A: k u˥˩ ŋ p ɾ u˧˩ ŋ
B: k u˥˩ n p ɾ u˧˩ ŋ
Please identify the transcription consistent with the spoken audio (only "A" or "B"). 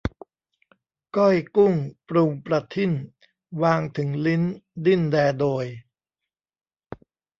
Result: A